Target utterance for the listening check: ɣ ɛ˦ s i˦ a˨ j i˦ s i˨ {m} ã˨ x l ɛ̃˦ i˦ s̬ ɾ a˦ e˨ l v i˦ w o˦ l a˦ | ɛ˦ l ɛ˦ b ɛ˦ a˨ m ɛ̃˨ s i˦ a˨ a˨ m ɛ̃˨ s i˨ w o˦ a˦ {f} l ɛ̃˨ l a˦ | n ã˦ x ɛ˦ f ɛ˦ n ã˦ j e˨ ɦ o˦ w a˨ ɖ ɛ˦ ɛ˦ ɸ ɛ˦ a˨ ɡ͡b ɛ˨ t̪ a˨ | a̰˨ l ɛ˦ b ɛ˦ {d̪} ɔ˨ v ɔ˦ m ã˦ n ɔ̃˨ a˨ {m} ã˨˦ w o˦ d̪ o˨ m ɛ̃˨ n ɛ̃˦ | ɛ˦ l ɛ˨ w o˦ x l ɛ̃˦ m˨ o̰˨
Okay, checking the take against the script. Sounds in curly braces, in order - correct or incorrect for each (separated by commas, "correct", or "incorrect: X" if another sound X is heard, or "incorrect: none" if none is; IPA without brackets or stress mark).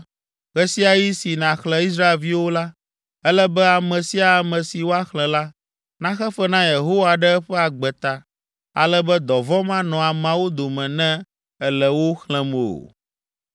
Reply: incorrect: n, incorrect: x, correct, correct